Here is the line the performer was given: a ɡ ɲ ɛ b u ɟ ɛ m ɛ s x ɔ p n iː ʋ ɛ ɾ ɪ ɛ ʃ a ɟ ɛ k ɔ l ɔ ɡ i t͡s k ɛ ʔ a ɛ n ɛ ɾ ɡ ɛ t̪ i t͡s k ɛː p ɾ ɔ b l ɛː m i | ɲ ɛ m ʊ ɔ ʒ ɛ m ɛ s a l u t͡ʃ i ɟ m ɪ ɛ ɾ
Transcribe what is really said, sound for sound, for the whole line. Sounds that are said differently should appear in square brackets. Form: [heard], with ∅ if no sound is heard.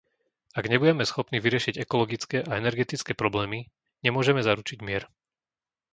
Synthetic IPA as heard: a ɡ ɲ ɛ b u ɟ ɛ m ɛ s x ɔ p n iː ʋ [i] ɾ ɪ ɛ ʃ [i] ɟ ɛ k ɔ l ɔ ɡ i t͡s k ɛ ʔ a ɛ n ɛ ɾ ɡ ɛ t̪ i t͡s k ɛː p ɾ ɔ b l ɛː m i | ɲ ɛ m ʊ ɔ ʒ ɛ m ɛ [z] a [ɾ] u t͡ʃ i ɟ m ɪ ɛ ɾ